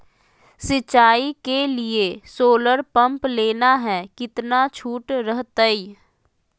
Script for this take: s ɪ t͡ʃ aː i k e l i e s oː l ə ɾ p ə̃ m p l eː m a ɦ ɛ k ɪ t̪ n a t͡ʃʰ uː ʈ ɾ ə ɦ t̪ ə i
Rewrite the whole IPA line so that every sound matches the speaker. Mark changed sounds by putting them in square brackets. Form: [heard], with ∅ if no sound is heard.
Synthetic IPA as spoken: s ɪ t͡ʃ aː i k e l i e s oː l ə ɾ p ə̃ m p l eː [n] a ɦ ɛ k ɪ t̪ n a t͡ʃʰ uː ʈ ɾ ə ɦ t̪ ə i